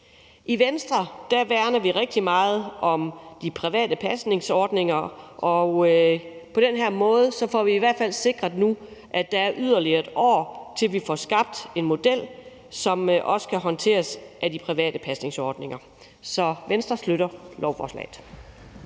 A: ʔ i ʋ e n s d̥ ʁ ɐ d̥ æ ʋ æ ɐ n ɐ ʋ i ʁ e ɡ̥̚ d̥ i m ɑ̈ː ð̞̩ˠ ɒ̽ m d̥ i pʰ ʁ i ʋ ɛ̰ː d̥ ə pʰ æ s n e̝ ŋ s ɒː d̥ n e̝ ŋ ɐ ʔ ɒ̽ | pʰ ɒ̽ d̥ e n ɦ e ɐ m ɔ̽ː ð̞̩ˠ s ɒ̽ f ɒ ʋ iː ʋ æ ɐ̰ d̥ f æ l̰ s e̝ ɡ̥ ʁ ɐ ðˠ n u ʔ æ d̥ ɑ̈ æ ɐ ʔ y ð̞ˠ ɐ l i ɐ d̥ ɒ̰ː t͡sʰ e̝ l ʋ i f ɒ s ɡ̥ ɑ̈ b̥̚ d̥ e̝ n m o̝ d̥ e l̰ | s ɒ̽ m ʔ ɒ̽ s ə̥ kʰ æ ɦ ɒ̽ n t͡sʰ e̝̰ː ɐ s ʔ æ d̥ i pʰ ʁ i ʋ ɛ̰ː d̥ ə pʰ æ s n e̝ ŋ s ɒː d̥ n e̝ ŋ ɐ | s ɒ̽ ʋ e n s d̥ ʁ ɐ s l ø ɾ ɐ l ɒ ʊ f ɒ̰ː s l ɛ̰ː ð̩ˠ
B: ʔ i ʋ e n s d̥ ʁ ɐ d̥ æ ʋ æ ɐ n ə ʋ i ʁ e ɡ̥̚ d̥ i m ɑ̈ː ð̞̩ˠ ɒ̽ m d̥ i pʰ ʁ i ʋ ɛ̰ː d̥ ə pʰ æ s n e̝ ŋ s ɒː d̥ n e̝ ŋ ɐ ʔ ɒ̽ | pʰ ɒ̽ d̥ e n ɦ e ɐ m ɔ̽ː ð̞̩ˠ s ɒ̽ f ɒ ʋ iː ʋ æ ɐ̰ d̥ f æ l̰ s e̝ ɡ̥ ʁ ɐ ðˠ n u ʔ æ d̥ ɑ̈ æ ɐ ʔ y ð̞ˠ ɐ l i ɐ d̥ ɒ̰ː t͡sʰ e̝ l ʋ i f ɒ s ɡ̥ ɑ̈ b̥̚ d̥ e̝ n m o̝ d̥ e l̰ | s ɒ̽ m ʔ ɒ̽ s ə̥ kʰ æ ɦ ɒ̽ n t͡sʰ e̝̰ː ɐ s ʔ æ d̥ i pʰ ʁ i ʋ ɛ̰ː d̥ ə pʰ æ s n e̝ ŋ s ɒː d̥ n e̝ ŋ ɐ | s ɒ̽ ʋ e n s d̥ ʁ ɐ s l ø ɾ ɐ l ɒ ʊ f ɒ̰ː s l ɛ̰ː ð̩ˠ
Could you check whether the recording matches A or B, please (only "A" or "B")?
A